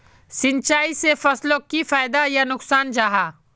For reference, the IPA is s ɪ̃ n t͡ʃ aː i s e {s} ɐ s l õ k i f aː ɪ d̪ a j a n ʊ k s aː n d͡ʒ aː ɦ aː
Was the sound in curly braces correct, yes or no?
no